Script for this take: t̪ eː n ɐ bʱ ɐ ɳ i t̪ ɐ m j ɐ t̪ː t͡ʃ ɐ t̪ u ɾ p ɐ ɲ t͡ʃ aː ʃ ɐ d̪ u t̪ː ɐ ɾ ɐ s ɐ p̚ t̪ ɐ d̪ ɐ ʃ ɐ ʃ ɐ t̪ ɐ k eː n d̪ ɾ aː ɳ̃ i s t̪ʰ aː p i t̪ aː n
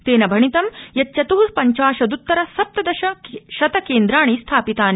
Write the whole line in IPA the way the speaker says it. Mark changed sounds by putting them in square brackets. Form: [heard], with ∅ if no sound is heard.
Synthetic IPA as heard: t̪ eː n ɐ bʱ ɐ ɳ i t̪ ɐ m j ɐ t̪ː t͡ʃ ɐ t̪ [uː] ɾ p ɐ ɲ t͡ʃ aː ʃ ɐ d̪ u t̪ː ɐ ɾ ɐ s ɐ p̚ t̪ ɐ d̪ ɐ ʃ ɐ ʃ ɐ t̪ ɐ k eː n d̪ ɾ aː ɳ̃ i s t̪ʰ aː p i t̪ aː n